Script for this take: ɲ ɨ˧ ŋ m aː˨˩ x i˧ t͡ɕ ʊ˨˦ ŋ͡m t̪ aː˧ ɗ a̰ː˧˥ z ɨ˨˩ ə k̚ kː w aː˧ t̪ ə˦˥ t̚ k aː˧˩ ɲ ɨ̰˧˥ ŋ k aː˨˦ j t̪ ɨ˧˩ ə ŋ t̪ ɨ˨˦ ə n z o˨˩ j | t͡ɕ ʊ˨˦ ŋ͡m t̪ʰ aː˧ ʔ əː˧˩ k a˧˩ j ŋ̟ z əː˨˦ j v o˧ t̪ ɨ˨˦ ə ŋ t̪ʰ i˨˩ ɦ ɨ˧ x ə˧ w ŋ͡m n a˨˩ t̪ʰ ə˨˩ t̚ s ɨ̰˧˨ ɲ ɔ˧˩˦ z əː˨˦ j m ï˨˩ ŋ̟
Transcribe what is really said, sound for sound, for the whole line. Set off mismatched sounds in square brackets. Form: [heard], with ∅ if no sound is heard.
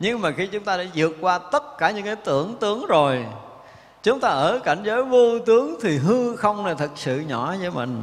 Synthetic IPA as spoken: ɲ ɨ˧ ŋ m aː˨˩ x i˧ t͡ɕ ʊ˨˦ ŋ͡m t̪ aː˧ ɗ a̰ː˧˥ z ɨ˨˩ ə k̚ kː w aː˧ t̪ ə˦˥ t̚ k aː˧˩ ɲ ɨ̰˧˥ ŋ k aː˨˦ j t̪ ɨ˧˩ ə ŋ t̪ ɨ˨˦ ə [ŋ] z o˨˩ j | t͡ɕ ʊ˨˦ ŋ͡m [t̪] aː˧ ʔ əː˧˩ k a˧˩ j ŋ̟ z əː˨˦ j v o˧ t̪ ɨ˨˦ ə ŋ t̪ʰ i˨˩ ɦ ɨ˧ x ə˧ w ŋ͡m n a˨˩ t̪ʰ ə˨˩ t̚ s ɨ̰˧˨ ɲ ɔ˧˩˦ z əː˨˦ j m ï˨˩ ŋ̟